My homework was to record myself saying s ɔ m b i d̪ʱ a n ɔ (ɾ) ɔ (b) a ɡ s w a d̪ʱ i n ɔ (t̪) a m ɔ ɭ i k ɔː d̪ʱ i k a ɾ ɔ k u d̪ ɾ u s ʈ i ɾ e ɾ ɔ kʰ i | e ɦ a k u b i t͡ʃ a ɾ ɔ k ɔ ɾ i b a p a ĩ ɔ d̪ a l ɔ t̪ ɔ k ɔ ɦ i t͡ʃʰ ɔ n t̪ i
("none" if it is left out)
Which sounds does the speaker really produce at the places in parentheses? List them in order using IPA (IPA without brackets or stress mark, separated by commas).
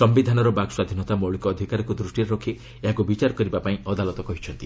ɾ, b, t̪